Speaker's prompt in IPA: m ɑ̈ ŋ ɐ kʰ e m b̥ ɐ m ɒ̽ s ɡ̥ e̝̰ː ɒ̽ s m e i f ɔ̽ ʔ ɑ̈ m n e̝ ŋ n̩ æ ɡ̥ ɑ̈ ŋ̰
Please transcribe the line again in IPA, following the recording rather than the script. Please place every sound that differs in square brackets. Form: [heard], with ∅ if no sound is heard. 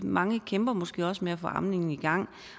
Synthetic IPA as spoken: m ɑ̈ ŋ [ə] kʰ e m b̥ ɐ m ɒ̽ s ɡ̥ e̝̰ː ɒ̽ s m e [æ] f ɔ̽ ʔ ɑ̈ m n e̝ ŋ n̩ [i] ɡ̥ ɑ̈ ŋ̰